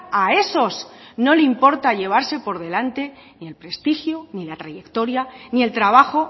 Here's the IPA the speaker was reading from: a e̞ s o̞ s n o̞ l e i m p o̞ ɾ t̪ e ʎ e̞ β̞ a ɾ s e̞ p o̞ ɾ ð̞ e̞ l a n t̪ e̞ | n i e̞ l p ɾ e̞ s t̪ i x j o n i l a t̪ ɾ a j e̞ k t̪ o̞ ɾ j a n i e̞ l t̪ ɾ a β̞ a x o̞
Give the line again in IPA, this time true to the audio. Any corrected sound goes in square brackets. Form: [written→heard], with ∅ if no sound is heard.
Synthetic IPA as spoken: a e̞ s o̞ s n o̞ l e i m p o̞ ɾ t̪ [e→a] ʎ e̞ β̞ a ɾ s e̞ p o̞ ɾ ð̞ e̞ l a n t̪ e̞ | n i e̞ l p ɾ e̞ s t̪ i x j o n i l a t̪ ɾ a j e̞ k t̪ o̞ ɾ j a n i e̞ l t̪ ɾ a β̞ a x o̞

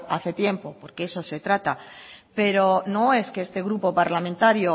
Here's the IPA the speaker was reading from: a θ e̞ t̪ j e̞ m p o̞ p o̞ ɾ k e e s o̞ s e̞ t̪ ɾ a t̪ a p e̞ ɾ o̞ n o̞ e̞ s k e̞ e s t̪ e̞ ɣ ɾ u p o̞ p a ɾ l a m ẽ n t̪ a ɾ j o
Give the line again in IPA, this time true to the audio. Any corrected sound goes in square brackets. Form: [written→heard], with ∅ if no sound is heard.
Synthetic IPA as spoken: a θ e̞ t̪ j e̞ m p o̞ p o̞ ɾ k e e s o̞ s e̞ t̪ ɾ a t̪ a p e̞ ɾ o̞ n o̞ e̞ s k e̞ e s t̪ e̞ ɣ ɾ u p o̞ p a ɾ l a m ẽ n t̪ a ɾ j o

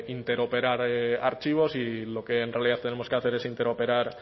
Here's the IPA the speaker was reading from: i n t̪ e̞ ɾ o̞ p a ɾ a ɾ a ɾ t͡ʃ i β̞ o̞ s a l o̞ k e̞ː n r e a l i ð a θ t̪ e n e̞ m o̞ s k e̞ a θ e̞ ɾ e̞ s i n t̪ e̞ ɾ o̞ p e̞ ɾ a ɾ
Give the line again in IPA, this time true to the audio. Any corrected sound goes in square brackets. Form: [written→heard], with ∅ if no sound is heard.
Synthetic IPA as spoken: i n t̪ e̞ ɾ o̞ p [a→e] ɾ a ɾ a ɾ t͡ʃ i β̞ o̞ s [a→i] l o̞ k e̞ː n r e a l i ð a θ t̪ e n e̞ m o̞ s k e̞ a θ e̞ ɾ e̞ s i n t̪ e̞ ɾ o̞ p e̞ ɾ a ɾ

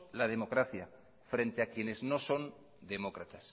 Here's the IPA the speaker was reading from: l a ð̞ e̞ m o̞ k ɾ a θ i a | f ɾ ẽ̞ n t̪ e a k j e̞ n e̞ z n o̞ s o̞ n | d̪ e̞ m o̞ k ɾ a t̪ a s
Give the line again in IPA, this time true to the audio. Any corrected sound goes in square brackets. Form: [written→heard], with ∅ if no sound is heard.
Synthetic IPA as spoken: l a ð̞ e̞ m o̞ k ɾ a θ [i→j] a | f ɾ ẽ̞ n t̪ e a k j e̞ n e̞ z n o̞ s o̞ n | d̪ e̞ m o̞ k ɾ a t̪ a s

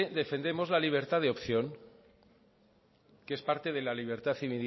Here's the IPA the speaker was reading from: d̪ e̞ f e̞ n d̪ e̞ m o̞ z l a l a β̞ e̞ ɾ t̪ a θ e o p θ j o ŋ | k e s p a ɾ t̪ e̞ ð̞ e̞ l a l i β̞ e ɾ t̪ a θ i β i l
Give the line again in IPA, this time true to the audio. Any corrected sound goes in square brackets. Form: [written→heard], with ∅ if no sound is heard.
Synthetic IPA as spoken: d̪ e̞ f e̞ n d̪ e̞ m o̞ z l a l [a→i] β̞ e̞ ɾ t̪ a [θ→ð] e o p θ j o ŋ | k e s p a ɾ t̪ e̞ ð̞ e̞ l a l i β̞ e ɾ t̪ a θ i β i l

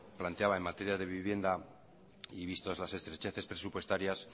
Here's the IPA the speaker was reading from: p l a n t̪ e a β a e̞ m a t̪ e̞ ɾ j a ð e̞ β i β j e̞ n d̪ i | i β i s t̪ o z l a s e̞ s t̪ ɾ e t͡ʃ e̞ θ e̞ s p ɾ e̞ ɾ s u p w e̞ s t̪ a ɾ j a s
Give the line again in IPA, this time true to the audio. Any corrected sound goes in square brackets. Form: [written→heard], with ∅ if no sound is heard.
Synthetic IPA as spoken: p l a n t̪ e a β a e̞ m a t̪ e̞ ɾ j a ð e̞ β i β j e̞ n d̪ [i→a] | i β i s t̪ o z l a s e̞ s t̪ ɾ e t͡ʃ e̞ θ e̞ s p ɾ e̞ [ɾ→∅] s u p w e̞ s t̪ a ɾ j a s

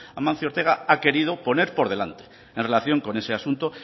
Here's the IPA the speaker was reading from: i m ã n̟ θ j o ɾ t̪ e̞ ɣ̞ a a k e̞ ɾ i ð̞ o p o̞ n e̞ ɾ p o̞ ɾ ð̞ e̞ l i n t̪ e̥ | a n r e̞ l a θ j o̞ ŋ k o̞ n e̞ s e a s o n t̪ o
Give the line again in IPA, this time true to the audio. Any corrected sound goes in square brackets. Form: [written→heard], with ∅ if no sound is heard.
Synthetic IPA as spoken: [i→a] m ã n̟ θ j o ɾ t̪ e̞ ɣ̞ a a k e̞ ɾ i ð̞ o p o̞ n e̞ ɾ p o̞ ɾ ð̞ e̞ l [i→a] n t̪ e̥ | [a→e] n r e̞ l a θ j o̞ ŋ k o̞ n e̞ s e a s [o→u] n t̪ o

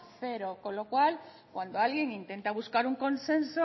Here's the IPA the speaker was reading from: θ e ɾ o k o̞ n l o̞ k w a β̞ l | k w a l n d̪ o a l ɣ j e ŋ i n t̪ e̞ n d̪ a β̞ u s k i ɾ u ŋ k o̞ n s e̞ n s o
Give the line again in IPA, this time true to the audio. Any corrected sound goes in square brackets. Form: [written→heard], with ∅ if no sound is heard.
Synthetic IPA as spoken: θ e ɾ o k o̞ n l o̞ k w a [β̞→∅] l | k w a [l→∅] n d̪ o a l ɣ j e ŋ i n t̪ e̞ n [d̪→t̪] a β̞ u s k [i→a] ɾ u ŋ k o̞ n s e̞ n s o

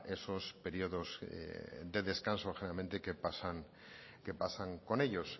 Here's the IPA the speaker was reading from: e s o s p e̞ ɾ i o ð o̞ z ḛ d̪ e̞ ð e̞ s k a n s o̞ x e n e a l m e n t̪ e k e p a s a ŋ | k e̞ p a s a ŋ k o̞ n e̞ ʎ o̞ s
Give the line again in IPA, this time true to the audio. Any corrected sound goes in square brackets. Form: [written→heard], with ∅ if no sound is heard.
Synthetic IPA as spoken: e s o s p e̞ ɾ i o ð o̞ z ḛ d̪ e̞ ð e̞ s k a n s o̞ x e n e a l m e n t̪ e k e p a s a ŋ | k e̞ p a s a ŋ k o̞ n e̞ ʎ o̞ s

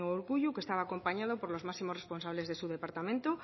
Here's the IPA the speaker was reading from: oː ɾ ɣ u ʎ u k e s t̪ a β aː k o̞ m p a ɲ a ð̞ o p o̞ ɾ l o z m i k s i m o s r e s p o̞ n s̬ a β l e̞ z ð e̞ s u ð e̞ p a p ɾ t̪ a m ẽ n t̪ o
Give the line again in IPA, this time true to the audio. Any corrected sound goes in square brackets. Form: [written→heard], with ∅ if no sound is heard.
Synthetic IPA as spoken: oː ɾ ɣ u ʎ u k e s t̪ a β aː k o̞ m p a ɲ a ð̞ o p o̞ ɾ l o z m [i→a] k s i m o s r e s p o̞ n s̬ a β l e̞ z ð e̞ s u ð e̞ p a [p→∅] ɾ t̪ a m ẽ n t̪ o

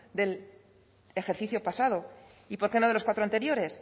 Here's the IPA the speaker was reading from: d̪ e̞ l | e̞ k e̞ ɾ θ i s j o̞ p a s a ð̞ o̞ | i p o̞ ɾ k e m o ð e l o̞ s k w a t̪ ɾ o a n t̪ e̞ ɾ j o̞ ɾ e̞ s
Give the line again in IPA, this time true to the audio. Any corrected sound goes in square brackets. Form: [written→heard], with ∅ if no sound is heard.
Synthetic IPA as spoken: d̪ e̞ l | e̞ [k→x] e̞ ɾ θ i [s→θ] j o̞ p a s a ð̞ o̞ | i p o̞ ɾ k e [m→n] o ð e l o̞ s k w a t̪ ɾ o a n t̪ e̞ ɾ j o̞ ɾ e̞ s

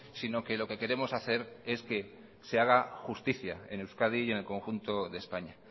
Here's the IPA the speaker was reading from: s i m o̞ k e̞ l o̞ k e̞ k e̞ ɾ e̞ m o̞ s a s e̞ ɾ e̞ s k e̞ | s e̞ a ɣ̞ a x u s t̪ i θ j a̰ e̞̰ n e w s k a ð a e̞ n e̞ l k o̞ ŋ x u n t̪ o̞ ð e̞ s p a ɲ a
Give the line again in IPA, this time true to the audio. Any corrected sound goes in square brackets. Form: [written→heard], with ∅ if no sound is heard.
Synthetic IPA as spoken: s i [m→n] o̞ k e̞ l o̞ k e̞ k e̞ ɾ e̞ m o̞ s a [s→θ] e̞ ɾ e̞ s k e̞ | s e̞ a ɣ̞ a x u s t̪ i θ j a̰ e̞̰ n e w s k a ð [a→i] e̞ n e̞ l k o̞ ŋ x u n t̪ o̞ ð e̞ s p a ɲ a

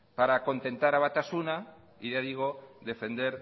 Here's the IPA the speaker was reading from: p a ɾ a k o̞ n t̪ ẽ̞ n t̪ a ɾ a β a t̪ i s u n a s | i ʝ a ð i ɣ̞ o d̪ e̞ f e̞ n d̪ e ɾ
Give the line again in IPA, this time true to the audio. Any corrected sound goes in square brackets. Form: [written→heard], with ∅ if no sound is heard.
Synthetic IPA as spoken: p a ɾ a k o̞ n t̪ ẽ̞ n t̪ a ɾ a β a t̪ [i→a] s u n a [s→∅] | i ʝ a ð i ɣ̞ o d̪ e̞ f e̞ n d̪ e ɾ

